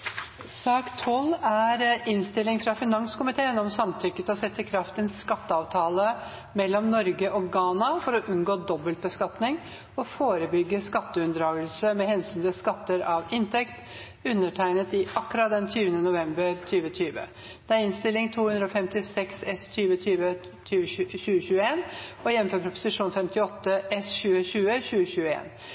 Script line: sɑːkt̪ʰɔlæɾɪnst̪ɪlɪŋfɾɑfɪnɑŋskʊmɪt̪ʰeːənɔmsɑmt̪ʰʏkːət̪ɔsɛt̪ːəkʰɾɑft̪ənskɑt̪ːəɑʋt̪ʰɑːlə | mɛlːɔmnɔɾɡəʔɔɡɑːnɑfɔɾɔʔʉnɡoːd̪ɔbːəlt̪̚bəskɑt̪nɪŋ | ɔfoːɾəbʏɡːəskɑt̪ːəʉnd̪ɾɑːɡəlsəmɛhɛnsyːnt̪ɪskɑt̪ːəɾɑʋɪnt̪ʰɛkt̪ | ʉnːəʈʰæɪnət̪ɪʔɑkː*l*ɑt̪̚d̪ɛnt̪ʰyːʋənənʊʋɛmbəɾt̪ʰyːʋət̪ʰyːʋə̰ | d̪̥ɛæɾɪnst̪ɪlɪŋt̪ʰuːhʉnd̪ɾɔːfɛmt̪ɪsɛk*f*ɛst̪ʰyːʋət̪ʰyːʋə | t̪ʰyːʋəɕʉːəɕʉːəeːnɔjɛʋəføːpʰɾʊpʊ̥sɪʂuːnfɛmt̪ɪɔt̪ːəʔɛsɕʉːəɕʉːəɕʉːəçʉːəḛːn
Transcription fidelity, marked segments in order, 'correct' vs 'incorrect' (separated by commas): incorrect, incorrect